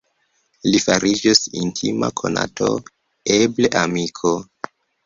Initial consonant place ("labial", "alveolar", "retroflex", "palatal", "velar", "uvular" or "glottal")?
alveolar